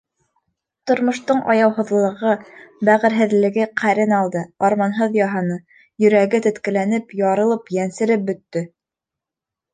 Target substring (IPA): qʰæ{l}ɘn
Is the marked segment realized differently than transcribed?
yes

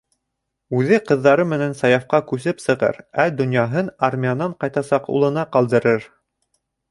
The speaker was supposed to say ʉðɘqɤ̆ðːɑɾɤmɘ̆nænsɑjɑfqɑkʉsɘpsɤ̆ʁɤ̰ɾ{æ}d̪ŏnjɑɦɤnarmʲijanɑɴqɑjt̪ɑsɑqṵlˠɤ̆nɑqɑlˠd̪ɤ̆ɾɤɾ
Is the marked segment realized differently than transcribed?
no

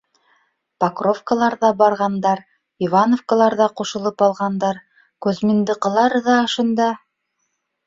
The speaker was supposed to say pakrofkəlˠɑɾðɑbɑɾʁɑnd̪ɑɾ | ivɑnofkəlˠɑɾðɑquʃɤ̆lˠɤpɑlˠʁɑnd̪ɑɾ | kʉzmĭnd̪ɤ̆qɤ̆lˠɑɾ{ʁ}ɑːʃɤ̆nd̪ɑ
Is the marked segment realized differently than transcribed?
yes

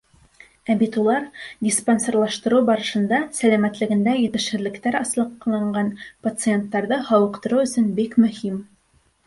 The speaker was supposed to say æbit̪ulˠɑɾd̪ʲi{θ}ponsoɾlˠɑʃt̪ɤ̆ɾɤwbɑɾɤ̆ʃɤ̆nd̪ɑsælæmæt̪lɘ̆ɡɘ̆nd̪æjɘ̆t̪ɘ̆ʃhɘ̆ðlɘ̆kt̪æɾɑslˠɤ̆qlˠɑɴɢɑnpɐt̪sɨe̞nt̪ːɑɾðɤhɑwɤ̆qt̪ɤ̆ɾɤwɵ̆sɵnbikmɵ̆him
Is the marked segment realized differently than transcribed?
yes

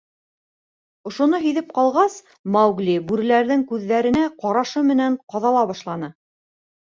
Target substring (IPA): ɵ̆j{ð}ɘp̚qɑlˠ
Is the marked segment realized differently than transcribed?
no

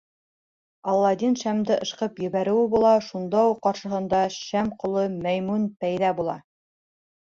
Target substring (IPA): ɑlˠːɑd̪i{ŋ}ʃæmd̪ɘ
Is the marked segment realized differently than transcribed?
yes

